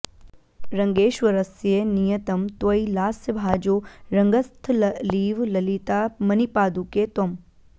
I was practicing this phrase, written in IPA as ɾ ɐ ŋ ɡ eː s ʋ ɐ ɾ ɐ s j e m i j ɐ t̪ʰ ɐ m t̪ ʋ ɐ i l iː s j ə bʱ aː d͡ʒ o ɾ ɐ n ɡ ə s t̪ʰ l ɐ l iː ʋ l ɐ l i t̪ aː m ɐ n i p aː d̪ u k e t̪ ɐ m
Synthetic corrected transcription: ɾ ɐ ŋ ɡ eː ʃ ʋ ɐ ɾ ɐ s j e n i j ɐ t̪ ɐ m t̪ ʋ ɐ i l aː s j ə bʱ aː d͡ʒ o ɾ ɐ ŋ ɡ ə s t̪ʰ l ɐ l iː ʋ l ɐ l i t̪ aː m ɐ n i p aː d̪ u k e t̪ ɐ m